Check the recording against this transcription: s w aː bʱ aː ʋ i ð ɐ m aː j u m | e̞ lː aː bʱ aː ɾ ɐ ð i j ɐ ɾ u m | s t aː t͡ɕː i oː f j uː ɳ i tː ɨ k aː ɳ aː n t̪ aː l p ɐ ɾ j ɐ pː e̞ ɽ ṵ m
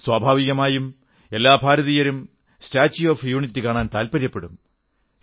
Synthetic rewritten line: s w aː bʱ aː ʋ i ɣ ɐ m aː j u m | e̞ lː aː bʱ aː ɾ ɐ ð i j ɐ ɾ u m | s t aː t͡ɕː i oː f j uː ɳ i tː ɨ k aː ɳ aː n t̪ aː l p ɐ ɾ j ɐ pː e̞ ɽ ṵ m